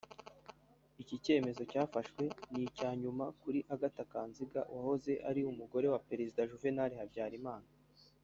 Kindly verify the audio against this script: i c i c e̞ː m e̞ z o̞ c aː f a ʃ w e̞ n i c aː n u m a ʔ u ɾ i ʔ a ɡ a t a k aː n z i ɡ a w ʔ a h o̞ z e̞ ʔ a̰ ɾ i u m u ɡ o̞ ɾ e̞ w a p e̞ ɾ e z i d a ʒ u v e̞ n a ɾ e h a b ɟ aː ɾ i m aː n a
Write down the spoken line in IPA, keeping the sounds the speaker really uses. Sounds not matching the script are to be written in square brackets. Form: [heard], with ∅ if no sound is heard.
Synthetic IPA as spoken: i c i c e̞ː m e̞ z o̞ c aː f a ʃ w e̞ n i c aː [ɲ] u m a [k] u ɾ i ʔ a ɡ a t a k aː n z i ɡ a w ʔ a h o̞ z e̞ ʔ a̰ ɾ i u m u ɡ o̞ ɾ e̞ w a p e̞ ɾ e z i d a ʒ u v e̞ n a ɾ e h a b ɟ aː ɾ i m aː n a